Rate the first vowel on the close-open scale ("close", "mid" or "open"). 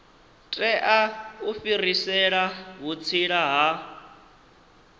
mid